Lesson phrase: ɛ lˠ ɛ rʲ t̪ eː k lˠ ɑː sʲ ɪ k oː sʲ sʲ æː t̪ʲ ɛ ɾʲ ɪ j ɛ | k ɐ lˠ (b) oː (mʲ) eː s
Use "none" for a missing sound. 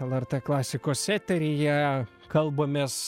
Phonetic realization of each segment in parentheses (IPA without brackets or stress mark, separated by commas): b, mʲ